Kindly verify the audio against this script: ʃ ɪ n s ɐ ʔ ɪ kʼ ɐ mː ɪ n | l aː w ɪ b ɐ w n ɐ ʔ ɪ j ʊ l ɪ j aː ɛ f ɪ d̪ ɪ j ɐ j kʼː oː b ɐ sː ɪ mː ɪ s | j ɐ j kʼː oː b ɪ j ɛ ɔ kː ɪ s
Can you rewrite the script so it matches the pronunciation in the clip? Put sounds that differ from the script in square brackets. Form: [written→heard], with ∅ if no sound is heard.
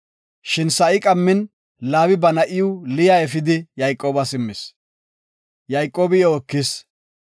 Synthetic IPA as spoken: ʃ ɪ n s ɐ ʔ ɪ kʼ ɐ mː ɪ n | l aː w ɪ b ɐ [w→∅] n ɐ ʔ ɪ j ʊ l ɪ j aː ɛ f ɪ d̪ ɪ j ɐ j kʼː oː b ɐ [sː→s] ɪ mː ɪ s | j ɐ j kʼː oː b ɪ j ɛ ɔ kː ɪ s